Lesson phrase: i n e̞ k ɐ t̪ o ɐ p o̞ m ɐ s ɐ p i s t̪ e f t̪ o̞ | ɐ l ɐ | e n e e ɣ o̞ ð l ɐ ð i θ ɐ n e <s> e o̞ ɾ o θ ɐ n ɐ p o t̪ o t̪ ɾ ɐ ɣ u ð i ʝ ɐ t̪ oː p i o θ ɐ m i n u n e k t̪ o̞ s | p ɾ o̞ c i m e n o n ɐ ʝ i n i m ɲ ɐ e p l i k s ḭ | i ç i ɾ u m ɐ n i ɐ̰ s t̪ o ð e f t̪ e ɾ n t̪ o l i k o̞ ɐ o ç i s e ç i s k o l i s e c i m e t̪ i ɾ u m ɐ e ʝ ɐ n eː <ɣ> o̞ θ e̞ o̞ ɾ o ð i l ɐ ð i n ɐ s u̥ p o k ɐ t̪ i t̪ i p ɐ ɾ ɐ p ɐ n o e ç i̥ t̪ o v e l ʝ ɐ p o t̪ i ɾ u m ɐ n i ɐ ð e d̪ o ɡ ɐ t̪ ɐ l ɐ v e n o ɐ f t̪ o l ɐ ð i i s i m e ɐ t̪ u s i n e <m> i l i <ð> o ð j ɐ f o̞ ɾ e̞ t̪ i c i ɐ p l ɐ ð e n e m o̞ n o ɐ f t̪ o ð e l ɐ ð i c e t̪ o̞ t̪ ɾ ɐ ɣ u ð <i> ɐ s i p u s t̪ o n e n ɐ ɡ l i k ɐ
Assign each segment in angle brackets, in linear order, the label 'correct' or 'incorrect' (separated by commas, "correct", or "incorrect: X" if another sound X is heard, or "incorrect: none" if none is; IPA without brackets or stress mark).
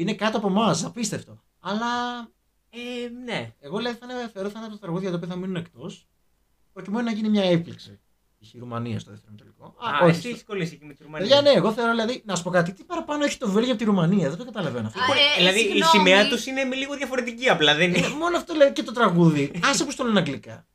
incorrect: θ, correct, correct, incorrect: ɣ, correct